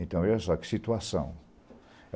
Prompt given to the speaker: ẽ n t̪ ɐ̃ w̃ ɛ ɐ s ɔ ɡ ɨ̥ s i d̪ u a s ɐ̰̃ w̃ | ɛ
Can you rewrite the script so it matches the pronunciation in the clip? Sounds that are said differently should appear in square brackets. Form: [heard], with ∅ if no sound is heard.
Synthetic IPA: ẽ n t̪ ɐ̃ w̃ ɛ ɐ s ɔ [k] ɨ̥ s i [t̪] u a s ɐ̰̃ w̃ | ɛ